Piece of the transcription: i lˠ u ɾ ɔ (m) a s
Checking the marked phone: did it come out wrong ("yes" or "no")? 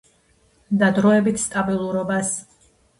yes